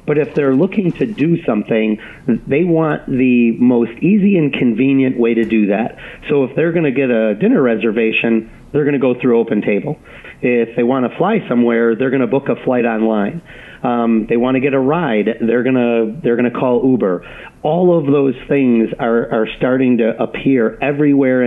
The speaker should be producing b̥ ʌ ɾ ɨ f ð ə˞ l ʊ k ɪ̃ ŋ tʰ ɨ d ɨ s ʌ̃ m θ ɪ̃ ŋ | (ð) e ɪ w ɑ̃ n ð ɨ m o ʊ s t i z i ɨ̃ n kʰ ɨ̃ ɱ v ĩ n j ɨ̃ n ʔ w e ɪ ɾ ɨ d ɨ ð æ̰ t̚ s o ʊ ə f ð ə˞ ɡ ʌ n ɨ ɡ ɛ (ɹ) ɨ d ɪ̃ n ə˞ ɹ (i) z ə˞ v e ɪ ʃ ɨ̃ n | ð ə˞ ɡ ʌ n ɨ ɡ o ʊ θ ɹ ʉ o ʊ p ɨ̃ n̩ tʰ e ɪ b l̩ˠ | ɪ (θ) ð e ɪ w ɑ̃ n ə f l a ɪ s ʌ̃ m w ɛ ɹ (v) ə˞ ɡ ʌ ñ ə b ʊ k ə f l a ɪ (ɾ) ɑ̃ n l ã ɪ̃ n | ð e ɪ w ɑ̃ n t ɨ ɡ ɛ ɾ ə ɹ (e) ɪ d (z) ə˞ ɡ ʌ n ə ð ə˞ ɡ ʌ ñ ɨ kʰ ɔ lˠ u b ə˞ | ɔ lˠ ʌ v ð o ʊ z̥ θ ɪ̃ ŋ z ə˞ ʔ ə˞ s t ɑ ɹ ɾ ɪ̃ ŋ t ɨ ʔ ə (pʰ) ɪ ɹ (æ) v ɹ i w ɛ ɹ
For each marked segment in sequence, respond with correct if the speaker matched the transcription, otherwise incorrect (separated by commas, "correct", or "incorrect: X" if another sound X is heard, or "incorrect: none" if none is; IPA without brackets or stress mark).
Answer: correct, incorrect: ɾ, incorrect: ɛ, incorrect: f, incorrect: ð, correct, incorrect: a, incorrect: ð, correct, incorrect: ɛ